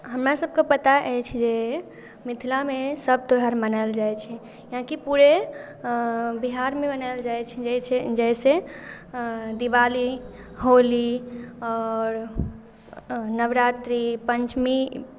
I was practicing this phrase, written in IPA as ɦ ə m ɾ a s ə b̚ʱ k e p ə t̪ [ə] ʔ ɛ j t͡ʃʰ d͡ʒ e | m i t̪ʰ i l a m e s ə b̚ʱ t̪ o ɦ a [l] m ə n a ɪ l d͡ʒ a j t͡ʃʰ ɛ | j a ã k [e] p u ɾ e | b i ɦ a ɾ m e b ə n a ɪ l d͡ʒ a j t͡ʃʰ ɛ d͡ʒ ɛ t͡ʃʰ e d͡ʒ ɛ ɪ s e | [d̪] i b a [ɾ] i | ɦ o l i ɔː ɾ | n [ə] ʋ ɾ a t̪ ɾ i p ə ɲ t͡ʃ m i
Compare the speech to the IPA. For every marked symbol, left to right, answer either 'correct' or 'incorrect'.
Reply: incorrect, incorrect, incorrect, correct, incorrect, correct

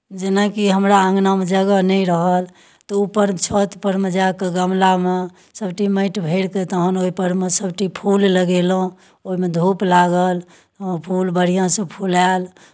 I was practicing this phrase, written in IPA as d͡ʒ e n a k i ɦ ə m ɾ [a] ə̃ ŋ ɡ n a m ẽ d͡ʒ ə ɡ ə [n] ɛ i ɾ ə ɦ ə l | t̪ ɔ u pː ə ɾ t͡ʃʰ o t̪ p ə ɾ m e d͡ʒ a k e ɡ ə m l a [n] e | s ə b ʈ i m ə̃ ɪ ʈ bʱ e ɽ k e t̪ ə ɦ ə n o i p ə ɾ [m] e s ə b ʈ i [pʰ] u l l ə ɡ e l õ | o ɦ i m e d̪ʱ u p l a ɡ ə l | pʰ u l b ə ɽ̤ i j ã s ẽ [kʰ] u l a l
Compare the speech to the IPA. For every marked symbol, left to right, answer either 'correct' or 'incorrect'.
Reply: correct, correct, incorrect, correct, correct, incorrect

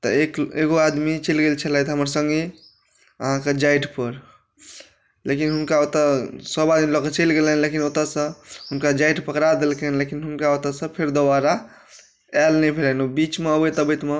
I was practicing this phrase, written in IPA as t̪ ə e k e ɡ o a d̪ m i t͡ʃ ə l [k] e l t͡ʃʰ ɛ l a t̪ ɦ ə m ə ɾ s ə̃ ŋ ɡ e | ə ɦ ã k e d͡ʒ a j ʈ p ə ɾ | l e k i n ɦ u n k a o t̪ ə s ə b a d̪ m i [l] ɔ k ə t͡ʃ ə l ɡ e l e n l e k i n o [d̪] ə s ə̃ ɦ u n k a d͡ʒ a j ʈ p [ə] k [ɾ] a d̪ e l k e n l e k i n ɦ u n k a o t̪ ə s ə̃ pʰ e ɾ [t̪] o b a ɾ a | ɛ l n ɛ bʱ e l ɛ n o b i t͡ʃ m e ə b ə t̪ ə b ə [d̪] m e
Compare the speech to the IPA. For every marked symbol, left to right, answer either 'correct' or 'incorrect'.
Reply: incorrect, correct, incorrect, correct, correct, incorrect, incorrect

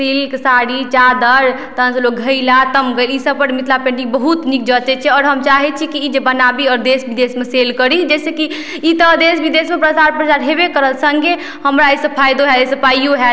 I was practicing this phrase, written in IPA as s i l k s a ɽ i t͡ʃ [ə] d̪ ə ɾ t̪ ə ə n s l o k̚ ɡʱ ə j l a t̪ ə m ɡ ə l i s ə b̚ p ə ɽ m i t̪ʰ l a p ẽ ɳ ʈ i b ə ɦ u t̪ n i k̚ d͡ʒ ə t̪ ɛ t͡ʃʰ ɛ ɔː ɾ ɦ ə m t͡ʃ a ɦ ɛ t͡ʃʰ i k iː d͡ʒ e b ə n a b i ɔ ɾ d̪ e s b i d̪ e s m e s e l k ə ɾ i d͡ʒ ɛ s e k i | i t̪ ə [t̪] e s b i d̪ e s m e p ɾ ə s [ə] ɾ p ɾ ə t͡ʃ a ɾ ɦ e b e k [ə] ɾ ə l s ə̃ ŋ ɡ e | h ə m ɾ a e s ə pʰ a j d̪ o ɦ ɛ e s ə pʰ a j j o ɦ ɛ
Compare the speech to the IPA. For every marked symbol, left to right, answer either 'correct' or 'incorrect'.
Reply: incorrect, incorrect, incorrect, correct

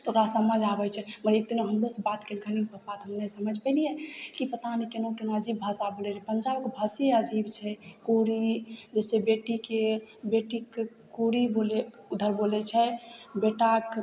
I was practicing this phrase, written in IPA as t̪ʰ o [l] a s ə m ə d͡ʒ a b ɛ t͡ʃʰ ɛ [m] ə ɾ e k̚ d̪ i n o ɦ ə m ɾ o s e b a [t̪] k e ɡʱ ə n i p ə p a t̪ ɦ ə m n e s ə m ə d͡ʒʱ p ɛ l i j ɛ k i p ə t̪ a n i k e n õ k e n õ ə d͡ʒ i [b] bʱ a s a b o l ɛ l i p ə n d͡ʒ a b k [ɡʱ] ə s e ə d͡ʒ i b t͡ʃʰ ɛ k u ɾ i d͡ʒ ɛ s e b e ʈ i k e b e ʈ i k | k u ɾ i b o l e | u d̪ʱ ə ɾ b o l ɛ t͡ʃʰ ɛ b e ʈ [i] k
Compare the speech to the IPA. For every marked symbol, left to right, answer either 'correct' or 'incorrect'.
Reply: incorrect, correct, correct, correct, incorrect, incorrect

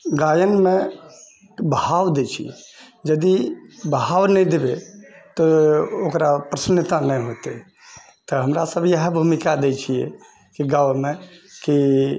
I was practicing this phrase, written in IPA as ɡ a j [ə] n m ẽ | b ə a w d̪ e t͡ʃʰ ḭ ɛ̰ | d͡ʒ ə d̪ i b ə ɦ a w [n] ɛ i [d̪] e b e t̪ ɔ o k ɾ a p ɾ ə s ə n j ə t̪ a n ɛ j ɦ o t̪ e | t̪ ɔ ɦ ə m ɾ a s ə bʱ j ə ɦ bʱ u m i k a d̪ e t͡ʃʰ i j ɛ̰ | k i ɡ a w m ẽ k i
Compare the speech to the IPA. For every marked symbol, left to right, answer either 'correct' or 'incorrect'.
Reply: correct, correct, correct

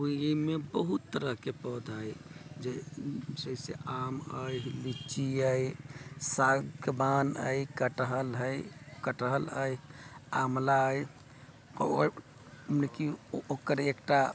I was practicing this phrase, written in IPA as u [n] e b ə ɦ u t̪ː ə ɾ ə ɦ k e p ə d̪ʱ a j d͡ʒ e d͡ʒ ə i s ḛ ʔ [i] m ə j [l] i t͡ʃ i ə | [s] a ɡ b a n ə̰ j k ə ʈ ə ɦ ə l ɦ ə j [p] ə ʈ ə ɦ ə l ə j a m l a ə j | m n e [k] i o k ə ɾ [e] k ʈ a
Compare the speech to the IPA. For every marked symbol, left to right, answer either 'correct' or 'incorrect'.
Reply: incorrect, incorrect, correct, correct, incorrect, correct, correct

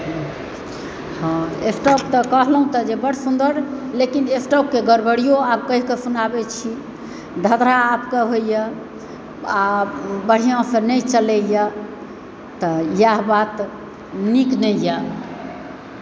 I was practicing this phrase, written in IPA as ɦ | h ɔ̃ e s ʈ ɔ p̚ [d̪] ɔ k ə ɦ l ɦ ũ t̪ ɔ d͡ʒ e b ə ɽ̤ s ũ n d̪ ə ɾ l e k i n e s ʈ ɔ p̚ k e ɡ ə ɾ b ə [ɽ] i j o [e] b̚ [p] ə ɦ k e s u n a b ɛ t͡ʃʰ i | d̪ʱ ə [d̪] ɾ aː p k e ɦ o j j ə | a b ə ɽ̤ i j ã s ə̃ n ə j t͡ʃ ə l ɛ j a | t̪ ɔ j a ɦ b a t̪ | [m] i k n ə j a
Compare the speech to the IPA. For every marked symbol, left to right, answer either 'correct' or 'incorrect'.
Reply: incorrect, correct, incorrect, incorrect, correct, incorrect

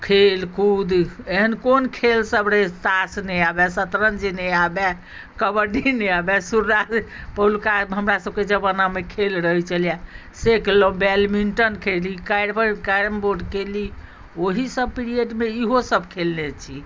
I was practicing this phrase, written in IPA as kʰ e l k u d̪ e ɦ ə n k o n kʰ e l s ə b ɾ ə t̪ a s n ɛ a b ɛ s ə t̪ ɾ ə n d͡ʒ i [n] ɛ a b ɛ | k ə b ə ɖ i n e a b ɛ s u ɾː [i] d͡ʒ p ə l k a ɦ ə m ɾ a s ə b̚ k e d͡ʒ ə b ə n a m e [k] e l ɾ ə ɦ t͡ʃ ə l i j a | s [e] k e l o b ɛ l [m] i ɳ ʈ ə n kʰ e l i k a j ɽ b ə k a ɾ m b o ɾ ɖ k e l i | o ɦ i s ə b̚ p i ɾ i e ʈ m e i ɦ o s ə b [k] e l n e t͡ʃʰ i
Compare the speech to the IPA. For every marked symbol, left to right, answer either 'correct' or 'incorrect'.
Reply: correct, incorrect, incorrect, correct, correct, incorrect

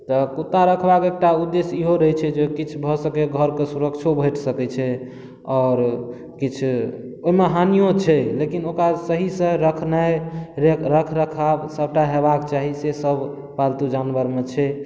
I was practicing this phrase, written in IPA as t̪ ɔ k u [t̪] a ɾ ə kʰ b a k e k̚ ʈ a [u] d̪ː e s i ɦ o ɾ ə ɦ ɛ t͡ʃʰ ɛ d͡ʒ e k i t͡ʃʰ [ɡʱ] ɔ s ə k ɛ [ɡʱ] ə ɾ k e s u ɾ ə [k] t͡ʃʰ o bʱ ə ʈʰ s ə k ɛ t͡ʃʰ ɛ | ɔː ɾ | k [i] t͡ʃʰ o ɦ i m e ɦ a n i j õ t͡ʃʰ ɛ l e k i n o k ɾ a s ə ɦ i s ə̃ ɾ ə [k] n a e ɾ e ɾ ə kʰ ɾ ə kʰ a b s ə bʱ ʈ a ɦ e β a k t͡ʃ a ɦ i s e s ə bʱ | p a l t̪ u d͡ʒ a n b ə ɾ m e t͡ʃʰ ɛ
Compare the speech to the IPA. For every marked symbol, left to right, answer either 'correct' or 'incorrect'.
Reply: correct, correct, incorrect, correct, correct, correct, incorrect

